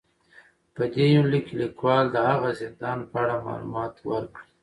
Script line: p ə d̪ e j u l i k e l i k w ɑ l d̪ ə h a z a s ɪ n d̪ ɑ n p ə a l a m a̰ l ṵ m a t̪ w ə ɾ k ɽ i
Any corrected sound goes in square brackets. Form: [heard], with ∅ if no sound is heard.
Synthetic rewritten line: p ə d̪ e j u l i k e l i k w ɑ l d̪ ə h a [ɣ] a [z] ɪ n d̪ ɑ n p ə a [ɽ] a m [ɑ̰] l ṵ m [ɑ] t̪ w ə ɾ k ɽ i

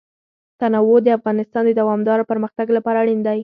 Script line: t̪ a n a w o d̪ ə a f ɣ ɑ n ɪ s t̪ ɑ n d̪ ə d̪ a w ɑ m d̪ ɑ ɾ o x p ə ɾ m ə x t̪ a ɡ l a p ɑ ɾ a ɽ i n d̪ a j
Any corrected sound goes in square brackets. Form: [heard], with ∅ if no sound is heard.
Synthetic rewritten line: t̪ a n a w o d̪ ə a f ɣ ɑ n ɪ s t̪ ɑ n d̪ ə d̪ a w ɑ m d̪ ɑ ɾ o [∅] p ə ɾ m ə x t̪ a ɡ l a p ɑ ɾ a ɽ i n d̪ a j

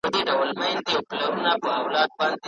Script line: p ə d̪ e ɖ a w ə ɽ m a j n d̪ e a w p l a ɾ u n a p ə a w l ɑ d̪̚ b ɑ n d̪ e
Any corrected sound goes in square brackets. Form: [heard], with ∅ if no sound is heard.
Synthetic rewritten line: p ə d̪ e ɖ a w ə [l] m a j n d̪ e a w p l a ɾ u n a p ə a w l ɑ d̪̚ b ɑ n d̪ e

